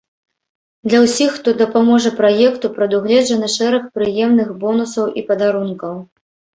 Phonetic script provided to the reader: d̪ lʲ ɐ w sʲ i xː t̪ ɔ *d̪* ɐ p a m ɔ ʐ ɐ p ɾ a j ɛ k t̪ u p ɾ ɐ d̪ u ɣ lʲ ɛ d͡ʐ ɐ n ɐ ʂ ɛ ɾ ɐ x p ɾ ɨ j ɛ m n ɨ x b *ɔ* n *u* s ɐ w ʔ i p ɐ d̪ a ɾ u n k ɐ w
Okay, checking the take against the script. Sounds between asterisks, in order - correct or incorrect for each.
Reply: correct, correct, correct

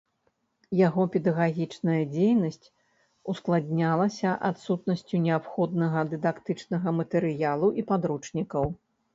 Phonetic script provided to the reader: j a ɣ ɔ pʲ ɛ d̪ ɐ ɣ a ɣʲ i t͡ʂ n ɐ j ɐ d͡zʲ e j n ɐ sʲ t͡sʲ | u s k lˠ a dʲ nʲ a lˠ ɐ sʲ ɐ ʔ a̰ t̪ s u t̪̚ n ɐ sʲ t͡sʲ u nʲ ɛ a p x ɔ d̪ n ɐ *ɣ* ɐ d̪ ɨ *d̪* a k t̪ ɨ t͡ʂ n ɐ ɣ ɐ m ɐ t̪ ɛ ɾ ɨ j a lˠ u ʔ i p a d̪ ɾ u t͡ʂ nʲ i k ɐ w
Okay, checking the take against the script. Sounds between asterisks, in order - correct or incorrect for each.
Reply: correct, correct

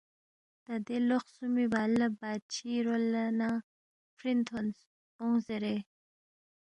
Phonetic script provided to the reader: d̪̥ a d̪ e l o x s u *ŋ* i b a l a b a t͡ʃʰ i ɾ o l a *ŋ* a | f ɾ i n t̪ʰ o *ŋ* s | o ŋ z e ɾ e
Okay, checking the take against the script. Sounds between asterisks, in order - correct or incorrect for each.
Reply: incorrect: m, incorrect: n, incorrect: n

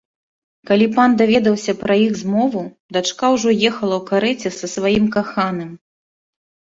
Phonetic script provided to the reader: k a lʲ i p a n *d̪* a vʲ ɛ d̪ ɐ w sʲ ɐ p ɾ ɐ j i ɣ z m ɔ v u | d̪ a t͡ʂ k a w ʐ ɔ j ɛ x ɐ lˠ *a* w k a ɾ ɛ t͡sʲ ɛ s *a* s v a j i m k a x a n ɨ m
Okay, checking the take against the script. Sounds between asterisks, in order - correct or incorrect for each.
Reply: correct, incorrect: ɐ, incorrect: ɐ

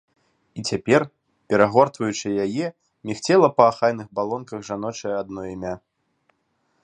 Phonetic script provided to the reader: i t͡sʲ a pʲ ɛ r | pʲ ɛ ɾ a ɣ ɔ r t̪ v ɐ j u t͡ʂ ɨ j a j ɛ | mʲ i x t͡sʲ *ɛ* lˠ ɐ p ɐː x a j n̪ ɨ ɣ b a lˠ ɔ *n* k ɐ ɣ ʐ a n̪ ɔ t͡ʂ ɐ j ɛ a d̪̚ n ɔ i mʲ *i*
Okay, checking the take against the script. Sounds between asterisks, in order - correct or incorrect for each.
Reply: correct, correct, incorrect: a

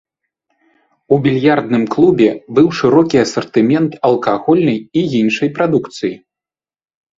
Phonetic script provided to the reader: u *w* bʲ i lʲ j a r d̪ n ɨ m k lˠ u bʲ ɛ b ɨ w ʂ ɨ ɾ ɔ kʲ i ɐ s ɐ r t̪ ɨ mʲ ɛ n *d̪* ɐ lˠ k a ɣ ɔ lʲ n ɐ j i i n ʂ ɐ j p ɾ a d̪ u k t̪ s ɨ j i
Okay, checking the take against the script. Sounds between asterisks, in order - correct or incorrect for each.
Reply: incorrect: none, incorrect: t̪

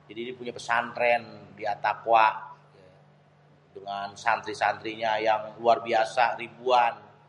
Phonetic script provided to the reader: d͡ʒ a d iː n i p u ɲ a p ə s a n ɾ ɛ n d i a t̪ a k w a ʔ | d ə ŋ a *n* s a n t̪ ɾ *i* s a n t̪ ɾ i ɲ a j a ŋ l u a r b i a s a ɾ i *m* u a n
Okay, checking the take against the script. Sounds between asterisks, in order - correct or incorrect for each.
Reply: correct, correct, incorrect: b

